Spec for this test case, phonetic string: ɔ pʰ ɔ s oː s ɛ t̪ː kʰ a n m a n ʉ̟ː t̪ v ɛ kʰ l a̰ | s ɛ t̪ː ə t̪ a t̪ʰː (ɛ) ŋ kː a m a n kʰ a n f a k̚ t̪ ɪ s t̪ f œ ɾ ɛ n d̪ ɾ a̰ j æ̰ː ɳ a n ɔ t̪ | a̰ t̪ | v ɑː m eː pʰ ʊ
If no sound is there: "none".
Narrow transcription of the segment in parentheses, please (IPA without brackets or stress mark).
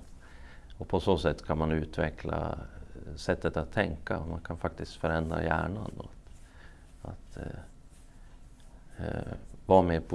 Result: ɛ